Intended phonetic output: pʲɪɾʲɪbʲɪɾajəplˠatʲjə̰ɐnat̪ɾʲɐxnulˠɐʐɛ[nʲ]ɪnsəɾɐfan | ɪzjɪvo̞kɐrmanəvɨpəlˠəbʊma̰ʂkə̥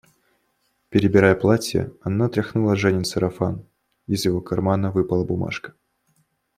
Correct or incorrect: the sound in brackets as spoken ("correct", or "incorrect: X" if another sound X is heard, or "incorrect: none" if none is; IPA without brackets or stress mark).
correct